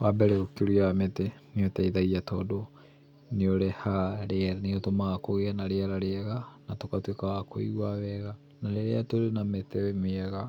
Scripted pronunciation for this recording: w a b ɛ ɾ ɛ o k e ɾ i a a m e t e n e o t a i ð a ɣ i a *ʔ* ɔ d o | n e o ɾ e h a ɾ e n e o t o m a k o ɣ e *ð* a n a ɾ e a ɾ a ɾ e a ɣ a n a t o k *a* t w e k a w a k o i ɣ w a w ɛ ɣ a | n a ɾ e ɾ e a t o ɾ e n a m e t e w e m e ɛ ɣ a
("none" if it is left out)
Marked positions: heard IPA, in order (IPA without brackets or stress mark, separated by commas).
t, none, a